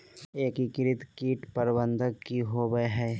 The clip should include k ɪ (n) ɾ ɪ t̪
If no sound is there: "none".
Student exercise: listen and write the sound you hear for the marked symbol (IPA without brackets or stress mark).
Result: none